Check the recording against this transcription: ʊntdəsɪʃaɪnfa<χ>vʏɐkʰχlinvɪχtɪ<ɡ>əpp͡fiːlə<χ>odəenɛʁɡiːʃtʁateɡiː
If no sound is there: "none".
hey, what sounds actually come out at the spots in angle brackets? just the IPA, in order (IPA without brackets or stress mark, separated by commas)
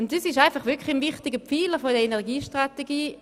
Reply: χ, ɡ, f